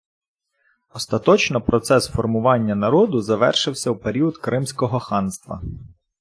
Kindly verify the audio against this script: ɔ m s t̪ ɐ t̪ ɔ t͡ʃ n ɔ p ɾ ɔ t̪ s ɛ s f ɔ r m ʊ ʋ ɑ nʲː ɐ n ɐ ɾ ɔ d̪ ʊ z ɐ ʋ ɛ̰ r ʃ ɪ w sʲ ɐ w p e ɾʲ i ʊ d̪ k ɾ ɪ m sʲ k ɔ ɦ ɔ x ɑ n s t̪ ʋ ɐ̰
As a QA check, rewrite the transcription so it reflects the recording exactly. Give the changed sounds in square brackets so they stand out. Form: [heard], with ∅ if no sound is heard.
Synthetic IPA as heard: ɔ [∅] s t̪ ɐ t̪ ɔ t͡ʃ n ɔ p ɾ ɔ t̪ s ɛ s f ɔ r m ʊ ʋ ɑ nʲː ɐ n ɐ ɾ ɔ d̪ ʊ z ɐ ʋ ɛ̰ r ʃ ɪ w sʲ ɐ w p e ɾʲ i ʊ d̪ k ɾ ɪ m sʲ k ɔ ɦ ɔ x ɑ n s t̪ ʋ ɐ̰